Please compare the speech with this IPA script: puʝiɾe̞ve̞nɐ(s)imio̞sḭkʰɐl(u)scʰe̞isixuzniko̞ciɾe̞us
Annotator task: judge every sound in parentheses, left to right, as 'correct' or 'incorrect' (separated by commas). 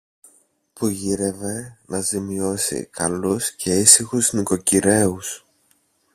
incorrect, correct